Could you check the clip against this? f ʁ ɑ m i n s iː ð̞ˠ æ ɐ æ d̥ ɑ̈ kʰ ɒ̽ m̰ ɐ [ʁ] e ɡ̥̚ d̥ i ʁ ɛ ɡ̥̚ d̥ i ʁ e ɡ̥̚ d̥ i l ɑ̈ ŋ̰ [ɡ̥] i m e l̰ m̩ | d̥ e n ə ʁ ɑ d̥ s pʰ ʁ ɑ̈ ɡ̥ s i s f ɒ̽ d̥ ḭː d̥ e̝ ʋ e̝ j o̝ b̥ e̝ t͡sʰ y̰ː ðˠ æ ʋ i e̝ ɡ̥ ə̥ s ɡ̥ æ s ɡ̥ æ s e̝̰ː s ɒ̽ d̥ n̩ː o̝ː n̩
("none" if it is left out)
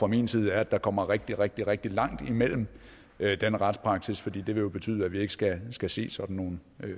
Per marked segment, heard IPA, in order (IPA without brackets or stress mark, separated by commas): ʁ, d̥